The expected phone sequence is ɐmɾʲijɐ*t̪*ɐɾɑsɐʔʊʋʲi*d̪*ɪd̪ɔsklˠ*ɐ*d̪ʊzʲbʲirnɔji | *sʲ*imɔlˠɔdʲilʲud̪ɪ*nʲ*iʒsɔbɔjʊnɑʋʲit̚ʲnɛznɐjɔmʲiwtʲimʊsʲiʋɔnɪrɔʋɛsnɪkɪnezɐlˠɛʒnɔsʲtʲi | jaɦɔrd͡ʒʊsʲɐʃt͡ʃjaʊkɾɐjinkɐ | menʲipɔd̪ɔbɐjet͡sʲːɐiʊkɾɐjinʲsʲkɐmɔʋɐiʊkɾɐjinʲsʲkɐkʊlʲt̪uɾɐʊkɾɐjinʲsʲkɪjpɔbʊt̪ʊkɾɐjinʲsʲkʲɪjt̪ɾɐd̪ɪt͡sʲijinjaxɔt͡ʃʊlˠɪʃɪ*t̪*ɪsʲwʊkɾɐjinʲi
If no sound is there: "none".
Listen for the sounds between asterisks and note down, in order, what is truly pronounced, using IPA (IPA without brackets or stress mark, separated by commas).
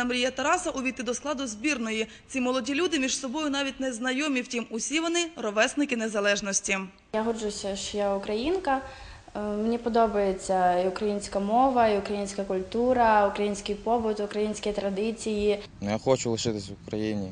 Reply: t̪, t̪, ɑ, t͡sʲ, mʲ, t̪